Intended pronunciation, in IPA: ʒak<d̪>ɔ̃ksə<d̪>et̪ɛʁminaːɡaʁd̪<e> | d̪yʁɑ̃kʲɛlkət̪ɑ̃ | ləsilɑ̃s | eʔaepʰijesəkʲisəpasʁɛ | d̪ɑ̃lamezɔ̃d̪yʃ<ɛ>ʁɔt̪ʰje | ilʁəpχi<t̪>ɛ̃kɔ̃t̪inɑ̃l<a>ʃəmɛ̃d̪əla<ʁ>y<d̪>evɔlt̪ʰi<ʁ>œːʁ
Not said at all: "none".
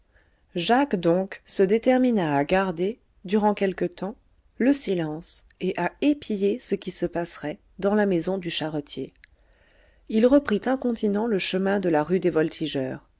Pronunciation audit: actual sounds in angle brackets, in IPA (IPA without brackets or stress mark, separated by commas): d̪, d̪, e, a, t̪, ə, ʁ, d̪, ʒ